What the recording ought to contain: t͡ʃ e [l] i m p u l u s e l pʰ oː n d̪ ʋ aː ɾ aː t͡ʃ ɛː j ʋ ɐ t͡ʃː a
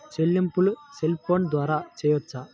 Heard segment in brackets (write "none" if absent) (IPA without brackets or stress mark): lː